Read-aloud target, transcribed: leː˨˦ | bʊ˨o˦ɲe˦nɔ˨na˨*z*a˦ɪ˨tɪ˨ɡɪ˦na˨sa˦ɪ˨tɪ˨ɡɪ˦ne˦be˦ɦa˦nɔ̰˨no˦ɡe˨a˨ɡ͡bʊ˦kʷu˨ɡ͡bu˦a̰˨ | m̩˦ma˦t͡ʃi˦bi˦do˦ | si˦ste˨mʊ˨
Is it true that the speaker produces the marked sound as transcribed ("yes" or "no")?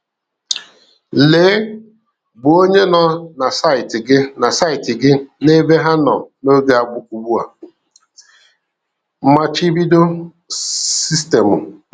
no